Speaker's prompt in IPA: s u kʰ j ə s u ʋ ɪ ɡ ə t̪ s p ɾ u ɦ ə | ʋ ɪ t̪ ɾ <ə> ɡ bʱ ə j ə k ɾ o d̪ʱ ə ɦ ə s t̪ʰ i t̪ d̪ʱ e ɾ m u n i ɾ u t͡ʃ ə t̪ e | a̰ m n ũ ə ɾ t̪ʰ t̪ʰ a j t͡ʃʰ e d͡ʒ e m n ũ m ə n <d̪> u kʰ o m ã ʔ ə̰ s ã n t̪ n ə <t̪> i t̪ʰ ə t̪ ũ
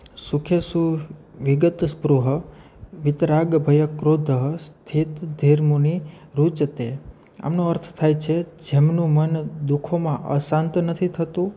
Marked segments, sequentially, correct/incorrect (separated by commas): incorrect, correct, incorrect